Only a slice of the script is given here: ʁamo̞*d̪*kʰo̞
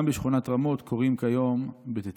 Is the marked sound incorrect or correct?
incorrect